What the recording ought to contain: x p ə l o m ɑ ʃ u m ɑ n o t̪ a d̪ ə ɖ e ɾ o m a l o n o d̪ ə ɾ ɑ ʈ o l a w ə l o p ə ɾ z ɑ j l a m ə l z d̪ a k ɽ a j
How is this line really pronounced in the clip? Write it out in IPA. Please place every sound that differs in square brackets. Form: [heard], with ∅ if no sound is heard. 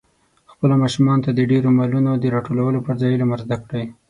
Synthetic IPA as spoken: x p ə l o m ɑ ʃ u m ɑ n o t̪ a d̪ ə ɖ e ɾ o m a l [u] n o d̪ ə ɾ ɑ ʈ o l a w ə l o p ə ɾ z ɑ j l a m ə [ɾ] z d̪ a k ɽ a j